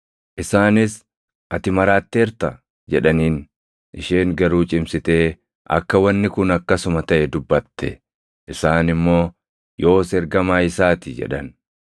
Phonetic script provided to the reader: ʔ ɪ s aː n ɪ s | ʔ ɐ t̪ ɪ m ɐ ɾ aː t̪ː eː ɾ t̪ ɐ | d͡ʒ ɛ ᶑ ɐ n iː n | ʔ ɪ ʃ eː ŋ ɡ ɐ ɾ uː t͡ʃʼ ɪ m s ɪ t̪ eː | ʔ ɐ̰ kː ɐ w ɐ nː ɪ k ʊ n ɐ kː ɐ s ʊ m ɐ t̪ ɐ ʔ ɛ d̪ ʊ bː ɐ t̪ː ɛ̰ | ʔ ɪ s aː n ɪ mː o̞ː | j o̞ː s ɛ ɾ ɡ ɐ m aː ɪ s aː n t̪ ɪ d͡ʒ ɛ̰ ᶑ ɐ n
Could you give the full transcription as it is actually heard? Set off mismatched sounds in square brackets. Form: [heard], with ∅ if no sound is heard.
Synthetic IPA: ʔ ɪ s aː n ɪ s | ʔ ɐ t̪ ɪ m ɐ ɾ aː t̪ː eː ɾ t̪ ɐ | d͡ʒ ɛ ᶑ ɐ n iː n | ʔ ɪ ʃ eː ŋ ɡ ɐ ɾ uː t͡ʃʼ ɪ m s ɪ t̪ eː | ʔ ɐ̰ kː ɐ w ɐ nː ɪ k ʊ n ɐ kː ɐ s ʊ m ɐ t̪ ɐ ʔ ɛ d̪ ʊ bː ɐ t̪ː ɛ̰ | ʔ ɪ s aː n ɪ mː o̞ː | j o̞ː s ɛ ɾ ɡ ɐ m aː ɪ s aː [∅] t̪ ɪ d͡ʒ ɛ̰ ᶑ ɐ n

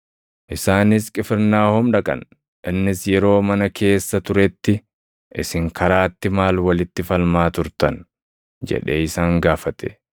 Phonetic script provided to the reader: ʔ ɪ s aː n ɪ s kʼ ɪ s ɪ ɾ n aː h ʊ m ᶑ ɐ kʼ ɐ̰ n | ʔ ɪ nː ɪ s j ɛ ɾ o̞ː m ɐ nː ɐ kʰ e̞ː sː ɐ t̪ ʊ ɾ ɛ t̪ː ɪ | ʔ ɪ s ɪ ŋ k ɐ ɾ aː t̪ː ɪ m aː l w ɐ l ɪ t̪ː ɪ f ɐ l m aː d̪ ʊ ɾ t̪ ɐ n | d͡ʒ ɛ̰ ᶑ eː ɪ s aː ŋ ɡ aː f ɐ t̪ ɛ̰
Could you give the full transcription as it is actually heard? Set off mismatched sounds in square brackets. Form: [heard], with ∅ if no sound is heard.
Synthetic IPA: ʔ ɪ s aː n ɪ s kʼ ɪ [f] ɪ ɾ n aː h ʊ m ᶑ ɐ kʼ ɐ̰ n | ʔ ɪ nː ɪ s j ɛ ɾ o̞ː m ɐ [n] ɐ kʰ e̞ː sː ɐ t̪ ʊ ɾ ɛ t̪ː ɪ | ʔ ɪ s ɪ ŋ k ɐ ɾ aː t̪ː ɪ m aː l w ɐ l ɪ t̪ː ɪ f ɐ l m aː [t̪] ʊ ɾ t̪ ɐ n | d͡ʒ ɛ̰ ᶑ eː ɪ s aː ŋ ɡ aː f ɐ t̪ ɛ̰

